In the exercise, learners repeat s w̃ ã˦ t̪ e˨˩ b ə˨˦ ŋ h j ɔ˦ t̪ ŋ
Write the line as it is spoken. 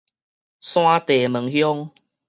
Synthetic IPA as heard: s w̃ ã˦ t̪ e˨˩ m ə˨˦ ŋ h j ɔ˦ ŋ